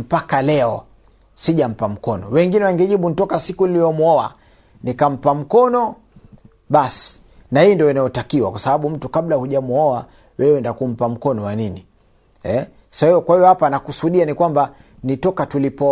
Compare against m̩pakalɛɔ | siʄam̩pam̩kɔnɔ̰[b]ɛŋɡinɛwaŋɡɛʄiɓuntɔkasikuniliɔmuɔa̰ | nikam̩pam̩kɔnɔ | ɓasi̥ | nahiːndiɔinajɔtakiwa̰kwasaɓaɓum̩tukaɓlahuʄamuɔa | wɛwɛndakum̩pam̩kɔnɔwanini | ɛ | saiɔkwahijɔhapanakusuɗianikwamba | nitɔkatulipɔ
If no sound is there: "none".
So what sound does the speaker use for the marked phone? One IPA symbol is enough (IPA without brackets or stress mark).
w